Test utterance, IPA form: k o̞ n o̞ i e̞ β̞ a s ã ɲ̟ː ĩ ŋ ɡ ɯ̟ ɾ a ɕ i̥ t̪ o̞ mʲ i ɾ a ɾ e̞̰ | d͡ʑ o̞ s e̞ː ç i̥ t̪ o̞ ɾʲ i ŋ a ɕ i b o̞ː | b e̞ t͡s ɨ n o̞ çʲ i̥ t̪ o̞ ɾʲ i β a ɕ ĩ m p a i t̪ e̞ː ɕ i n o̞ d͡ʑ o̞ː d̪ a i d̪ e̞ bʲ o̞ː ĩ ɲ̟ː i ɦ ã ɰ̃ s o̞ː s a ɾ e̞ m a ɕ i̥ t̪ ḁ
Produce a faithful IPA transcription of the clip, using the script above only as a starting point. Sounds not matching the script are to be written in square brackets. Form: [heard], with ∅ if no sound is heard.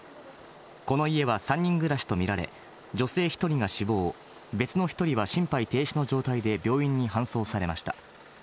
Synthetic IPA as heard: k o̞ n o̞ i e̞ β̞ a s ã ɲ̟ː ĩ ŋ ɡ ɯ̟ ɾ a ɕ i̥ t̪ o̞ mʲ i ɾ a ɾ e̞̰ | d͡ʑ o̞ s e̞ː ç i̥ t̪ o̞ ɾʲ i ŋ a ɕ i b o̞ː | b e̞ t͡s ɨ n o̞ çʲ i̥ t̪ o̞ ɾʲ i β a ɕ ĩ m p a i t̪ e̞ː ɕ i n o̞ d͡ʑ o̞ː [t̪] a i d̪ e̞ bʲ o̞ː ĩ ɲ̟ː i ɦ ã ɰ̃ s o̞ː s a ɾ e̞ m a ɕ i̥ t̪ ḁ